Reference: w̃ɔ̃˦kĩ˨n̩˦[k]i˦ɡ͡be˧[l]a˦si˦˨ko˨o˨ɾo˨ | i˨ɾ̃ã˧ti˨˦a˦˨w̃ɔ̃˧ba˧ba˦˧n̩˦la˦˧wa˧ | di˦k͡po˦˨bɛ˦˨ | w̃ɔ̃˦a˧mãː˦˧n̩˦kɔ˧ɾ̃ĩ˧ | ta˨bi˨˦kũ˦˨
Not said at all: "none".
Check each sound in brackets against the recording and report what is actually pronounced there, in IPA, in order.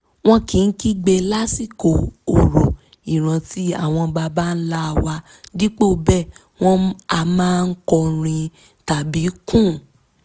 k, l

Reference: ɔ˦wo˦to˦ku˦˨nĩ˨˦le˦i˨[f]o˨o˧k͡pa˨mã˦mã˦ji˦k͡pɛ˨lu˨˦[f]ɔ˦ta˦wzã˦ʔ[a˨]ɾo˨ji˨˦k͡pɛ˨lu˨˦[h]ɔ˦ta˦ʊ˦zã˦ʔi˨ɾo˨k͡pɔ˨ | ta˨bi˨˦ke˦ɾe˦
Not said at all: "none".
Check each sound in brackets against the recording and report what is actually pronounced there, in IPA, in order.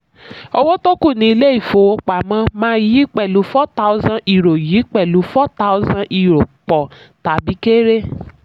f, f, i˨, f

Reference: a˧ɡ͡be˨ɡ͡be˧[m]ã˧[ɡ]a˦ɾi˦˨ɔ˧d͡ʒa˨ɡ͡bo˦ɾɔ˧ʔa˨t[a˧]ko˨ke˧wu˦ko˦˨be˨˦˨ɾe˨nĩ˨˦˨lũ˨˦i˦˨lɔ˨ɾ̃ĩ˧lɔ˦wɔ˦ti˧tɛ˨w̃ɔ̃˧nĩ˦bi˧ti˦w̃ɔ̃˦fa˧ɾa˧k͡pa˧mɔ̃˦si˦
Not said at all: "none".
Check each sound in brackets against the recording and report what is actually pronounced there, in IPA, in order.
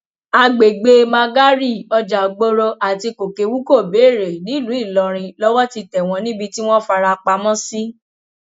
m, ɡ, i˧

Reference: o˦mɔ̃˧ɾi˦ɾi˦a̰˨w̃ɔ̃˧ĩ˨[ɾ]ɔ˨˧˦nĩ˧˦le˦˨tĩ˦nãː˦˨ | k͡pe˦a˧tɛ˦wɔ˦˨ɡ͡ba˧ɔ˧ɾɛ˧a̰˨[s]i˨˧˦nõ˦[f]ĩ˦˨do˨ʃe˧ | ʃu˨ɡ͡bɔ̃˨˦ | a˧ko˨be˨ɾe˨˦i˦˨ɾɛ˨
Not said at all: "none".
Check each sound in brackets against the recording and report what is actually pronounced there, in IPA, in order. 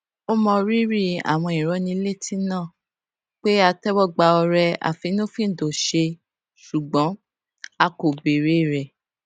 ɾ, f, f

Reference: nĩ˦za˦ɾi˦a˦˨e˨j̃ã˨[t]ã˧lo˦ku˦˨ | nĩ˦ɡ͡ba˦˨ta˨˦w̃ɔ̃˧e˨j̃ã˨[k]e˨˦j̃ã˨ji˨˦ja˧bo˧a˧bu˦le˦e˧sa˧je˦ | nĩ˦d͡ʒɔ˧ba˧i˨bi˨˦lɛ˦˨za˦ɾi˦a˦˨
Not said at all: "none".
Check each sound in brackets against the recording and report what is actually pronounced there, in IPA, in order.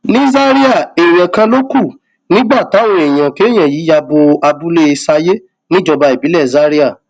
k, k

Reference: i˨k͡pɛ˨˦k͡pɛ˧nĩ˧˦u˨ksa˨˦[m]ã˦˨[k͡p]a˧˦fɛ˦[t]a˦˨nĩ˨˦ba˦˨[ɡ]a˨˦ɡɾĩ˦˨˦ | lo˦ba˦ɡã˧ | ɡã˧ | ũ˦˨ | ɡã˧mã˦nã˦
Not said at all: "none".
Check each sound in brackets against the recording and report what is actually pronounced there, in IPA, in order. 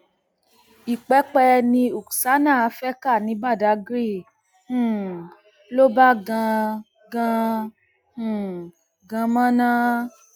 n, none, k, d

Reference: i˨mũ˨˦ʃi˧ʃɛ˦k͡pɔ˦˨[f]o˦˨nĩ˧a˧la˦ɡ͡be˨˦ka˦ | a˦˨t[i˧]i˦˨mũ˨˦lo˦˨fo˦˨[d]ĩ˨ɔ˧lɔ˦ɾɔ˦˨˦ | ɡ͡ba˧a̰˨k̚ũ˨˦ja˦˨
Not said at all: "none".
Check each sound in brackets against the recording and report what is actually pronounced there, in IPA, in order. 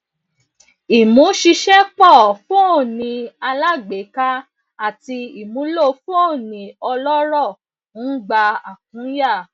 f, i˧, n

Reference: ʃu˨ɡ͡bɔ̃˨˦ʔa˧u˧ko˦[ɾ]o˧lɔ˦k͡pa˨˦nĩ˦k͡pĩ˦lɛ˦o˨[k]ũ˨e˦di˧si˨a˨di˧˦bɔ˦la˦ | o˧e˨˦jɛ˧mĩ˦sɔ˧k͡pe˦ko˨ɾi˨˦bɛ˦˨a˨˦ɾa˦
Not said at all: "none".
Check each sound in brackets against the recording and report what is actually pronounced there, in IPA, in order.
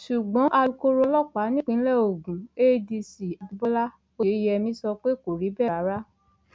ɾ, ɡ

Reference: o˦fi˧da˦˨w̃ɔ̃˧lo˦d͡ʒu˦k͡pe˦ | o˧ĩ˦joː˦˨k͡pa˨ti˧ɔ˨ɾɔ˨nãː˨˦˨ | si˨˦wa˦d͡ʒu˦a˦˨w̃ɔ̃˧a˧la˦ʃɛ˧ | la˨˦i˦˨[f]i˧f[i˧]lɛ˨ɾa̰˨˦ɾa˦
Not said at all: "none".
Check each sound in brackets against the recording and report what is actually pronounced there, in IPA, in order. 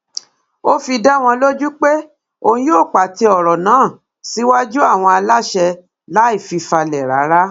f, a˧

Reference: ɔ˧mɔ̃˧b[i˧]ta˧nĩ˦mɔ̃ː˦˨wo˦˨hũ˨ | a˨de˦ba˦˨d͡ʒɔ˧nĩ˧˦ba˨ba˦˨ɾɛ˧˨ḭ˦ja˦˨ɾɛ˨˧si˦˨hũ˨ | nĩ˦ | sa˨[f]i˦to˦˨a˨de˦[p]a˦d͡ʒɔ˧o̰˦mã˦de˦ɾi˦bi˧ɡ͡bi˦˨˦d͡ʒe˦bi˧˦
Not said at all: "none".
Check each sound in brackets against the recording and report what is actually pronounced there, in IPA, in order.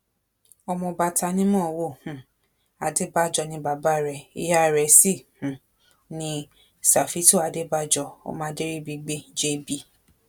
a˧, f, b

